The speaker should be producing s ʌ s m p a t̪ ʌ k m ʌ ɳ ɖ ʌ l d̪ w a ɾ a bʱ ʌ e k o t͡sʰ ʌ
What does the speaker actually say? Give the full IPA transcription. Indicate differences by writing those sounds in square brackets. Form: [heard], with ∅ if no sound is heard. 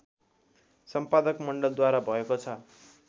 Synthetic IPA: s ʌ [∅] m p a [d̪] ʌ k m ʌ ɳ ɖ ʌ l d̪ w a ɾ a bʱ ʌ e k o t͡sʰ ʌ